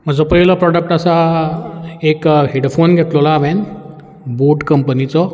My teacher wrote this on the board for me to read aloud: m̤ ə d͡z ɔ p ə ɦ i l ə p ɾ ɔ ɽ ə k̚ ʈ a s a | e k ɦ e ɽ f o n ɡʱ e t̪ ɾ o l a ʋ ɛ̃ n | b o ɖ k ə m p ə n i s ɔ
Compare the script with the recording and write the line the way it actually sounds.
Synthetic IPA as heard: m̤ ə d͡z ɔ p ə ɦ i l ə p ɾ ɔ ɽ ə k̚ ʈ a s a | e k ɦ e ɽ f o n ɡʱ e t̪ l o l a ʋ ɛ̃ n | b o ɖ k ə m p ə n i t͡s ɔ